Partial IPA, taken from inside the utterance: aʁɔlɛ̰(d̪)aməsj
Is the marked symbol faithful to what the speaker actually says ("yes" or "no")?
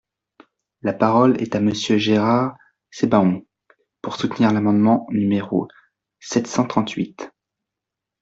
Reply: no